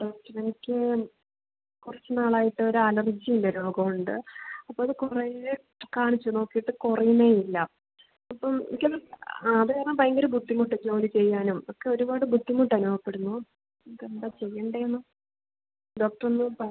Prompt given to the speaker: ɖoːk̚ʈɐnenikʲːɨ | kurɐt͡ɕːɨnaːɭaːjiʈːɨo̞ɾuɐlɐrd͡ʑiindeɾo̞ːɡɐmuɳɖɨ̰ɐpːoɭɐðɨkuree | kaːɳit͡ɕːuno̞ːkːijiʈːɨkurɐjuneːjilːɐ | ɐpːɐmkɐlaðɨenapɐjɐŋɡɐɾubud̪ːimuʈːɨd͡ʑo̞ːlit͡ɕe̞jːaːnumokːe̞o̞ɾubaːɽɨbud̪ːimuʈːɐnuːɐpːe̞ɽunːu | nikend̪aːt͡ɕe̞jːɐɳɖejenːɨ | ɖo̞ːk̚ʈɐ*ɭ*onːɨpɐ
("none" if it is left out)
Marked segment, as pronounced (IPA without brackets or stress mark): r